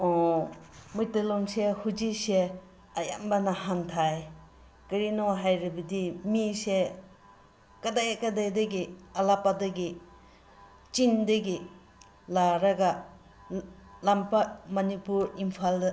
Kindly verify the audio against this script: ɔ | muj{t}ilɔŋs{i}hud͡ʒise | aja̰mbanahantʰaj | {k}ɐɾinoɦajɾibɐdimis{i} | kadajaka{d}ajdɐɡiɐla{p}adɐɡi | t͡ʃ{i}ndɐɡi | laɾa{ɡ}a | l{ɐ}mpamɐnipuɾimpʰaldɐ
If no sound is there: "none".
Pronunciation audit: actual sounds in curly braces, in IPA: t, e, k, e, d, p, i, ɡ, a

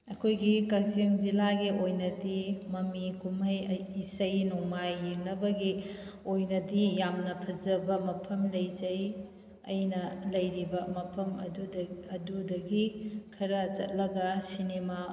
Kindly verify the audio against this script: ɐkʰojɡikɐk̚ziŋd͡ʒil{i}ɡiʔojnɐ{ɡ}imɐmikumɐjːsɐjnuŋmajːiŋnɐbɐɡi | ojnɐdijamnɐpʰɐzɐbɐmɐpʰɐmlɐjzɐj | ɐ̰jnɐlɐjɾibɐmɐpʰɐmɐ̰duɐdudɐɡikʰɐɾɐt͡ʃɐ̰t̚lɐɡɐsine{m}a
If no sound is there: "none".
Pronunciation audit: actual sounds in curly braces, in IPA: a, d, m

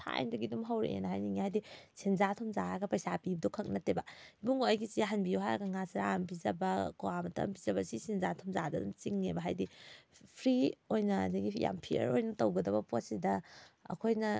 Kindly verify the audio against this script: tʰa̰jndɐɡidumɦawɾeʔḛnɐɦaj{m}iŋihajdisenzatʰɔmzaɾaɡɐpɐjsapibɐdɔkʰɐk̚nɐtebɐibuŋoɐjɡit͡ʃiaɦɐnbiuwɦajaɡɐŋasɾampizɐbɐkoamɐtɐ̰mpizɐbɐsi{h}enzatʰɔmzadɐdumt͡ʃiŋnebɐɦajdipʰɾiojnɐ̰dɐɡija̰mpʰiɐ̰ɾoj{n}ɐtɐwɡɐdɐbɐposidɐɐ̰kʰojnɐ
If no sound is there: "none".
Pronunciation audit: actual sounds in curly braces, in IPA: n, s, n

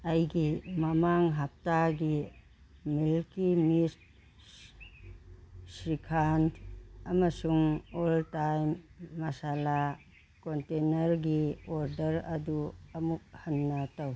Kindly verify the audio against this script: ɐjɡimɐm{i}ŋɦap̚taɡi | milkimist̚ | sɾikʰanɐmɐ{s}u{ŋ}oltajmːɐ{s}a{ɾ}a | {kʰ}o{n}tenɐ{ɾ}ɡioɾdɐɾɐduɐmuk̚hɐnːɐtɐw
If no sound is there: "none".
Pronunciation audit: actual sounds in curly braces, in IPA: a, s, ŋ, s, l, k, n, ɾ

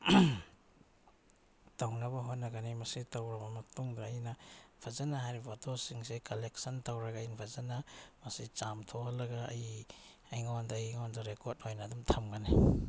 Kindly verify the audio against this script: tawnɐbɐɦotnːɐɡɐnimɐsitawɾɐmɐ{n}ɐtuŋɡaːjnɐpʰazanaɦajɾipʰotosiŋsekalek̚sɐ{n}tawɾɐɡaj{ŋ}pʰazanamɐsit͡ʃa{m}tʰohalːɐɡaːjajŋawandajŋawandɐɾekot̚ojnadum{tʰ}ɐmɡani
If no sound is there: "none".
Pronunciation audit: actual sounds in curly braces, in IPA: m, n, n, m, tʰ

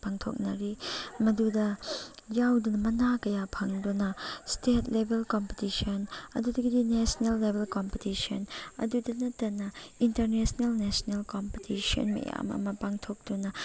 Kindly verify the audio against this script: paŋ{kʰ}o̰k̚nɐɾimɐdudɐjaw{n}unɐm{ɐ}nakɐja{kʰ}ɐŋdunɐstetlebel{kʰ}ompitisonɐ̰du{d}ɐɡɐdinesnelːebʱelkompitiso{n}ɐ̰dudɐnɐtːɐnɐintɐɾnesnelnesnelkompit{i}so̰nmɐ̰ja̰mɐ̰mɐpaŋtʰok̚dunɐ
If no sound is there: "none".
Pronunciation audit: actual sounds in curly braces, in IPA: tʰ, d, ɐ, pʰ, k, d, n, i

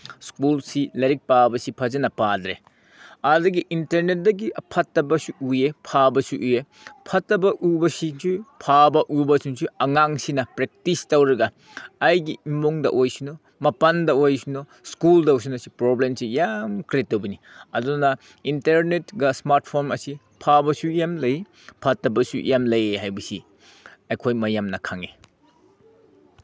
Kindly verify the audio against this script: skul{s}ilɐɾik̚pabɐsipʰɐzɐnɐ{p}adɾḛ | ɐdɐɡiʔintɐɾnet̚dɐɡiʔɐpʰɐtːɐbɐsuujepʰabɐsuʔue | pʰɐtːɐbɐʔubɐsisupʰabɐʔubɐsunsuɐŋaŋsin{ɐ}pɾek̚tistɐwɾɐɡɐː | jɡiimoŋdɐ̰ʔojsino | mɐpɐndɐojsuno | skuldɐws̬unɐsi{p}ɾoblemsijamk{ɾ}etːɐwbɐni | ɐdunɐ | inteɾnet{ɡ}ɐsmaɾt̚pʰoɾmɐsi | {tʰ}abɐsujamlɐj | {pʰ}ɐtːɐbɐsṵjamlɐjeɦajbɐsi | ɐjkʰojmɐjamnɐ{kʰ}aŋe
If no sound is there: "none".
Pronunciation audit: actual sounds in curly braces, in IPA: s, p, ɐ, p, ɾ, ɡ, pʰ, pʰ, kʰ

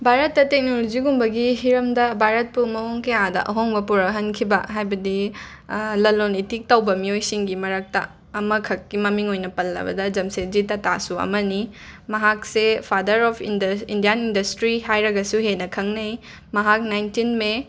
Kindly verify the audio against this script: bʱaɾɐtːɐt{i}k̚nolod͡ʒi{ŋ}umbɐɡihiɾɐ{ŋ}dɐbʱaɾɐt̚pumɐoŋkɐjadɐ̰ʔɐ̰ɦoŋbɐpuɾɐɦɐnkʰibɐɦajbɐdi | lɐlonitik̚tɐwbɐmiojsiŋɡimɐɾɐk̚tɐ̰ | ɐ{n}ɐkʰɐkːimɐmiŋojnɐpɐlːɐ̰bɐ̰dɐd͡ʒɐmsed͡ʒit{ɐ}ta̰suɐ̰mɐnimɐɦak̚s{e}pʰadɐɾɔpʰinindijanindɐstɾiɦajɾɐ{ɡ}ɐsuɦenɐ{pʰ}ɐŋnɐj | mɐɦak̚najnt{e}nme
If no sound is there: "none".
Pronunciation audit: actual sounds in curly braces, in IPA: e, ɡ, m, m, ɐ, e, ɡ, kʰ, i

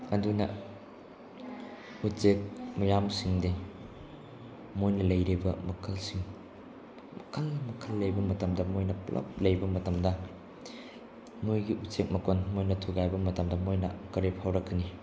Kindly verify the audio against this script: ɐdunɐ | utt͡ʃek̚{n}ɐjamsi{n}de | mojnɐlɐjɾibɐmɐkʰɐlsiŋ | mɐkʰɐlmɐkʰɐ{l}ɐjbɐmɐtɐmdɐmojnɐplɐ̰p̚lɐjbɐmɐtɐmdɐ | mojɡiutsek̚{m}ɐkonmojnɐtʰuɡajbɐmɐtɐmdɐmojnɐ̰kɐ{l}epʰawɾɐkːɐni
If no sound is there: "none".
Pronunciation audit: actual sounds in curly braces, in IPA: m, ŋ, lː, m, ɾ

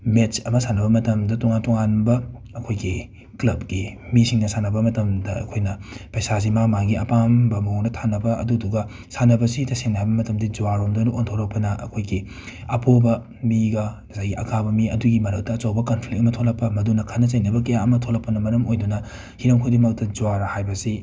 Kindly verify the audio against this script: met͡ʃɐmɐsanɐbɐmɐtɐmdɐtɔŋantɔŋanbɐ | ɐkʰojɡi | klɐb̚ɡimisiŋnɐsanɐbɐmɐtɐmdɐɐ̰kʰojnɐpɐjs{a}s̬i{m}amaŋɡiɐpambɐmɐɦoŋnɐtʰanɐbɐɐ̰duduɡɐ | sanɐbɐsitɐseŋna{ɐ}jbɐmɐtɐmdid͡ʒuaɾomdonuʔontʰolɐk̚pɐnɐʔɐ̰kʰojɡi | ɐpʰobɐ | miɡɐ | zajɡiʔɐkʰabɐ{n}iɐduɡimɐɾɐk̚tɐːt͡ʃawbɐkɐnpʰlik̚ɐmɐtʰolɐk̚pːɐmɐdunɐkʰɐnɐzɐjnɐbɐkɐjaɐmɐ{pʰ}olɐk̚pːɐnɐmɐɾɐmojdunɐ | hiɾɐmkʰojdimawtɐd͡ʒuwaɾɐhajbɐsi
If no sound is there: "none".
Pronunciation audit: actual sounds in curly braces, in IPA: a, m, a, m, tʰ

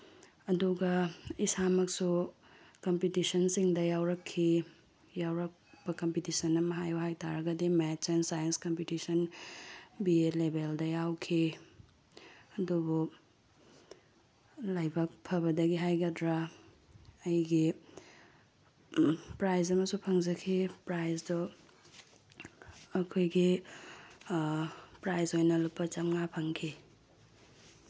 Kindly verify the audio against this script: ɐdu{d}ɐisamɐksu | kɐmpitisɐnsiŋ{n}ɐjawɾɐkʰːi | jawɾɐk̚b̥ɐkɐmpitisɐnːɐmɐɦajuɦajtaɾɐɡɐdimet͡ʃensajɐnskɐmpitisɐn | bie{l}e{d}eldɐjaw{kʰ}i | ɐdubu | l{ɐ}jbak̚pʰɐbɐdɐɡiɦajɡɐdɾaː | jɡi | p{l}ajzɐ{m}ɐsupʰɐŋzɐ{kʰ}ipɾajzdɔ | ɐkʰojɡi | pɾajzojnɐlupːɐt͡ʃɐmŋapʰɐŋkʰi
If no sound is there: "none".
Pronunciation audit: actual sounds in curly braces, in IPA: ɡ, d, l, b, kʰ, a, ɾ, m, kʰ

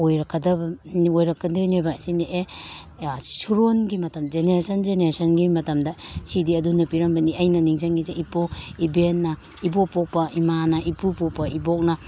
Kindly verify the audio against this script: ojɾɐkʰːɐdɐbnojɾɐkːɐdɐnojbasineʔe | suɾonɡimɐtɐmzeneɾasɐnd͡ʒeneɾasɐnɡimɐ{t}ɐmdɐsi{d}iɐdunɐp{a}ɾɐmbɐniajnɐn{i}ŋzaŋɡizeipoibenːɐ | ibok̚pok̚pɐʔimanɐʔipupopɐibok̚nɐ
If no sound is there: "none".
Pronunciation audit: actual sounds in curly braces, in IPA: t, d, i, i

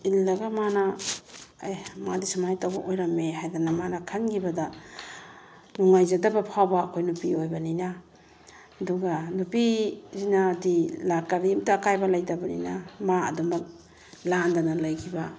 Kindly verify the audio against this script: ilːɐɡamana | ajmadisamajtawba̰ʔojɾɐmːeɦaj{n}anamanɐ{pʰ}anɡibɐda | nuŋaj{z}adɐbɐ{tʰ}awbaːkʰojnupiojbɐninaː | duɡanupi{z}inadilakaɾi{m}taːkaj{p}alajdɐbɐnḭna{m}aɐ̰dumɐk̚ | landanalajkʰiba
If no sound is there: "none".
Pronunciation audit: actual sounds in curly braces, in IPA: d, kʰ, z, pʰ, z, m, b, m

